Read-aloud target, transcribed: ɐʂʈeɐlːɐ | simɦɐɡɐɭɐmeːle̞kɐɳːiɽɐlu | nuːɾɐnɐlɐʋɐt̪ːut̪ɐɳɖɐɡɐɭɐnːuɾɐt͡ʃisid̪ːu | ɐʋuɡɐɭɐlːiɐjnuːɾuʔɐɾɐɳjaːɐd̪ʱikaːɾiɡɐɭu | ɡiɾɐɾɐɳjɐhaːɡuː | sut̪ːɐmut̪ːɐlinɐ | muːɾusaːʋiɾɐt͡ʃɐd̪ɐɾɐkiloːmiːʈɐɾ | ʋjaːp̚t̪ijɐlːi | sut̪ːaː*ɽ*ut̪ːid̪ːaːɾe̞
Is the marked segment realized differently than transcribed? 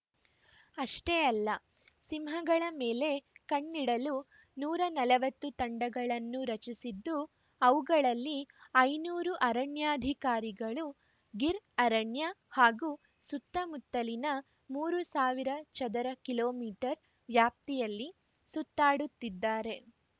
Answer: no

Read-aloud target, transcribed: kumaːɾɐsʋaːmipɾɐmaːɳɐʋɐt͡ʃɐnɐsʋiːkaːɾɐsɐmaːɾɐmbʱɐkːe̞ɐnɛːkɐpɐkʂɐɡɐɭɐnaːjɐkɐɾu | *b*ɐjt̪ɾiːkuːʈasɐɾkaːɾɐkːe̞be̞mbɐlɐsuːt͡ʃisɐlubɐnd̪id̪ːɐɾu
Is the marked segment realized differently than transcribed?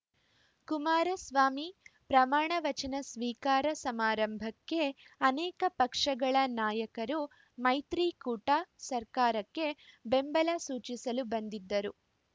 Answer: yes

